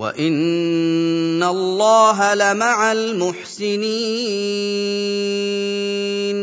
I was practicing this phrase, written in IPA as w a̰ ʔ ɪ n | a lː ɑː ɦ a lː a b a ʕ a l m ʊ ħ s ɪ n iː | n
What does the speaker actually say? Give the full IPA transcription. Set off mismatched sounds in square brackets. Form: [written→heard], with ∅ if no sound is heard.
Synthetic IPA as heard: w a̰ ʔ ɪ n | a lː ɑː ɦ a [lː→l] a [b→m] a ʕ a l m ʊ ħ s ɪ n iː | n